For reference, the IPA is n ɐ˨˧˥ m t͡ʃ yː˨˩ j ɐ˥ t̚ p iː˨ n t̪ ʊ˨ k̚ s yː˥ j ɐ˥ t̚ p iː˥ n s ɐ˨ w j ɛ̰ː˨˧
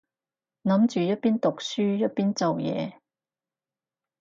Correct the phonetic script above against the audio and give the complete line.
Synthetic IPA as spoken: n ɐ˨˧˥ m t͡ʃ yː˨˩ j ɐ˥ t̚ p iː˥ n t̪ ʊ˨ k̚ s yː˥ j ɐ˥ t̚ p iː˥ n t͡s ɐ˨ w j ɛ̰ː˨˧

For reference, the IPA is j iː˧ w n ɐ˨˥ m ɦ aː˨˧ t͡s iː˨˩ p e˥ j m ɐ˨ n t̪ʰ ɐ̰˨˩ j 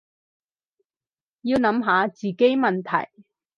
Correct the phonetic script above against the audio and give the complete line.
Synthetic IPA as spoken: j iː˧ w n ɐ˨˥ m ɦ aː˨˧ t͡s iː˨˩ k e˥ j m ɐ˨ n t̪ʰ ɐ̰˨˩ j

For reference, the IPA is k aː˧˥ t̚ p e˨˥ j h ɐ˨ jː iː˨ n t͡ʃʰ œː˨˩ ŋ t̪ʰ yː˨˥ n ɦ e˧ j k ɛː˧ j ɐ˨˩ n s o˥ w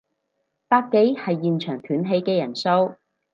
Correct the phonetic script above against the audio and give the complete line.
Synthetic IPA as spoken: p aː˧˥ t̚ k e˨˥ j h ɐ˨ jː iː˨ n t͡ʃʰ œː˨˩ ŋ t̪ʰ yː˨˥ n ɦ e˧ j k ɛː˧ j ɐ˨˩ n s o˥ w

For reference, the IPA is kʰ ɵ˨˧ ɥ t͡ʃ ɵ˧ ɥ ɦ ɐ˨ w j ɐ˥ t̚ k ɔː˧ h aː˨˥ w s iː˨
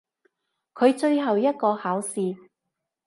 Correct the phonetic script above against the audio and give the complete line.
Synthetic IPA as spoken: kʰ ɵ˨˧ ɥ t͡ʃ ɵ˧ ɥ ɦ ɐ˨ w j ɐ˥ t̚ k ɔː˧ h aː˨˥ w s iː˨

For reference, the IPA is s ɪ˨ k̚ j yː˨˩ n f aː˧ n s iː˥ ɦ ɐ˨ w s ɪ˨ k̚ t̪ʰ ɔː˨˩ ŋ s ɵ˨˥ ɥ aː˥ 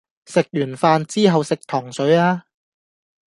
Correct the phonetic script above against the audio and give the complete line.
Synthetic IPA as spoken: s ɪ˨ k̚ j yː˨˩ n f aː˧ n t͡s iː˥ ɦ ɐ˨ w s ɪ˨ k̚ t̪ʰ ɔː˨˩ ŋ s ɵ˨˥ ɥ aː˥

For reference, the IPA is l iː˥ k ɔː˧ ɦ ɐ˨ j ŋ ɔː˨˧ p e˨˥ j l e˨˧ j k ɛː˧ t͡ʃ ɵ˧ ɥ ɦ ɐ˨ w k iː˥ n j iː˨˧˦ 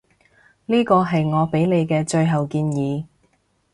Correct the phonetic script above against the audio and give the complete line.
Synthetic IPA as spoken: l iː˥ k ɔː˧ ɦ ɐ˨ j ŋ ɔː˨˧ p e˨˥ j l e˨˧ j k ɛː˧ t͡ʃ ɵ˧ ɥ ɦ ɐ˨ w k iː˧ n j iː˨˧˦

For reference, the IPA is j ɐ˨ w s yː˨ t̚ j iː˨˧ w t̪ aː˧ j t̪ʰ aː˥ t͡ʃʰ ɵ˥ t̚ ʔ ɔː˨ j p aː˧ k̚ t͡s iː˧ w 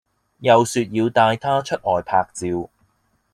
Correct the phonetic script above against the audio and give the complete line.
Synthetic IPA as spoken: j ɐ˨ w s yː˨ t̚ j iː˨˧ w t̪ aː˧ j t̪ʰ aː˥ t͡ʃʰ ɵ˥ t̚ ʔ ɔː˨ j pʰ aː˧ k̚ t͡s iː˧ w

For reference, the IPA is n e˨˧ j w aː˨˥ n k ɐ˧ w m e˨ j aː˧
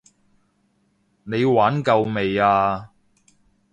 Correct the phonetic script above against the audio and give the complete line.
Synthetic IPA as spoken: n e˨˧ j w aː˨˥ n k ɐ˧ w m e˨ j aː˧

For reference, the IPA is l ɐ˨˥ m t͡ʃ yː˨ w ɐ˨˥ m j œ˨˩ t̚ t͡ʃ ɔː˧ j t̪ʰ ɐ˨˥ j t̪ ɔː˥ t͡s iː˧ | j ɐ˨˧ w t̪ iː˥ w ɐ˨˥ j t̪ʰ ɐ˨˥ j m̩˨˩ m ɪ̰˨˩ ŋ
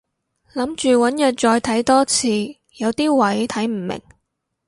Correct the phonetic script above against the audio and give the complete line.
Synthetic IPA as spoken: l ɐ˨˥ m t͡ʃ yː˨ w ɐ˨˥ n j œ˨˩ t̚ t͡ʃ ɔː˧ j t̪ʰ ɐ˨˥ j t̪ ɔː˥ t͡sʰ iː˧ | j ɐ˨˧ w t̪ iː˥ w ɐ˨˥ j t̪ʰ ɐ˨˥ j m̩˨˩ m ɪ̰˨˩ ŋ

